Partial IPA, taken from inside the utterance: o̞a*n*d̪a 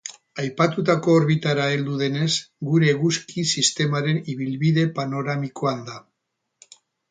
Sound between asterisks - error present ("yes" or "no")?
no